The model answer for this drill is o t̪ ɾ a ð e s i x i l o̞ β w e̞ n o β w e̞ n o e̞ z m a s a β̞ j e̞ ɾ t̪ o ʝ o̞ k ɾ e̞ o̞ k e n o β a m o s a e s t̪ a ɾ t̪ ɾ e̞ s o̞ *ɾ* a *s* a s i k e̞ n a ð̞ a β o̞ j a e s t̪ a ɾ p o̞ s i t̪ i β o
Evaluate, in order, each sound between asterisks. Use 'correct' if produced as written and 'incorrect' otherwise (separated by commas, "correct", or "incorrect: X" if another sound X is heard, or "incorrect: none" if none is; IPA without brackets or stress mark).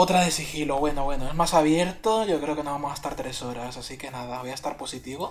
correct, correct